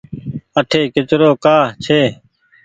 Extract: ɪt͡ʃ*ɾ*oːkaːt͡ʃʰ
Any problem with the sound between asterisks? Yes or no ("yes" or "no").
no